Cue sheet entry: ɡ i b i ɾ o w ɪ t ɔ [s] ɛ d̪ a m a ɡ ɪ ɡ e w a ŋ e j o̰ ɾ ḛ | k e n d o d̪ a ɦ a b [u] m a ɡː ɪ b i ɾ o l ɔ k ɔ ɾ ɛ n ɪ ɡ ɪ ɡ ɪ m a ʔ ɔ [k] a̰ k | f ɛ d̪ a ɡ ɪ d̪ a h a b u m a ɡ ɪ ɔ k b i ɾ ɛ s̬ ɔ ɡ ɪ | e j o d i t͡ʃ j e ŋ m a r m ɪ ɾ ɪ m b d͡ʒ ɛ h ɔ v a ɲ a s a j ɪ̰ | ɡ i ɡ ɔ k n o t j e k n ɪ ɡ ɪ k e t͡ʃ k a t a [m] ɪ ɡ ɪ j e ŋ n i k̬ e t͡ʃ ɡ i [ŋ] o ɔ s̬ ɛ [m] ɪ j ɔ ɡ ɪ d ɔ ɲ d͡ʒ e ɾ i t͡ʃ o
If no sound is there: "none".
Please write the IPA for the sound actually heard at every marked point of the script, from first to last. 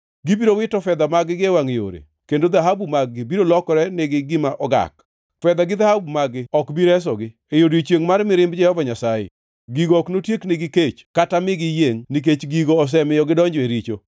f, u, ɡ, m, ɡ, m

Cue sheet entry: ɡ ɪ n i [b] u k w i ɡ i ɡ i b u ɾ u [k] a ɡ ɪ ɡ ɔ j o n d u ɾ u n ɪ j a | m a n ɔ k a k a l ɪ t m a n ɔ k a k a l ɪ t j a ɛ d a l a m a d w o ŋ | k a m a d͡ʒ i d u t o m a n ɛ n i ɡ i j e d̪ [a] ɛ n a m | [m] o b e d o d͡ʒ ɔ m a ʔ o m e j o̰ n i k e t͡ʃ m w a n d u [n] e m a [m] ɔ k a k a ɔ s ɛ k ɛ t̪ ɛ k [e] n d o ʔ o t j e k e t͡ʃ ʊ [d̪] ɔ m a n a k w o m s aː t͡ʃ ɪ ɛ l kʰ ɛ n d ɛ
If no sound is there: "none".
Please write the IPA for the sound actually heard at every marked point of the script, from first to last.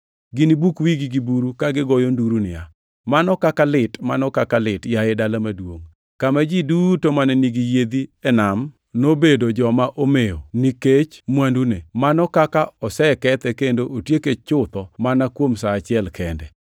b, k, i, n, n, n, e, t̪

